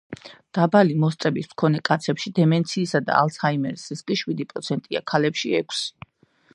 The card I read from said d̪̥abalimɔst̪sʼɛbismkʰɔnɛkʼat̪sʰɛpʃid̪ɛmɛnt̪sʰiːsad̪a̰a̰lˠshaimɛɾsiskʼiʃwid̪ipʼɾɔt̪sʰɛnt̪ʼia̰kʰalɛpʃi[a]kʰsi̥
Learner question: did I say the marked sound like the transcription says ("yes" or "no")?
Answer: no